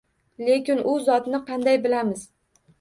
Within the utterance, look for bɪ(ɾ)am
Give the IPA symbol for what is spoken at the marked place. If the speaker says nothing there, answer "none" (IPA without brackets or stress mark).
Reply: l